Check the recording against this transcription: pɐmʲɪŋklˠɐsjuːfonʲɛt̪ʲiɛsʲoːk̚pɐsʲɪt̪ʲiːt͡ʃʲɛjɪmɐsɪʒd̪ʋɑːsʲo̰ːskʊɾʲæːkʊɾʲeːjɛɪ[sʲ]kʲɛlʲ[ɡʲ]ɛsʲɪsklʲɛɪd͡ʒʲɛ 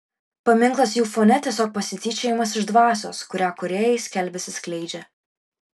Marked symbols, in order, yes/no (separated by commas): yes, no